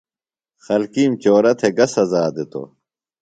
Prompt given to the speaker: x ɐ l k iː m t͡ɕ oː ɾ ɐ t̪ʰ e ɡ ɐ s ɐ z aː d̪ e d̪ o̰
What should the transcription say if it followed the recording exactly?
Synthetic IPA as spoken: x ɐ l k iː m t͡ɕ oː ɾ ɐ t̪ʰ e ɡ ɐ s ɐ z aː d̪ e t̪ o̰